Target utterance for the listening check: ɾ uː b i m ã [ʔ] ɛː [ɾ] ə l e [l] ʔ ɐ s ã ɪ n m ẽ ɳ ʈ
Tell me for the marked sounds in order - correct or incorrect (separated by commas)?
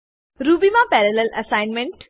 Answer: incorrect, correct, correct